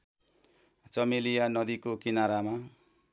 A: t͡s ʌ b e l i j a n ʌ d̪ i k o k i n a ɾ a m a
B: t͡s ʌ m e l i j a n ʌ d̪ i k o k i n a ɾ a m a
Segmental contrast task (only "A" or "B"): B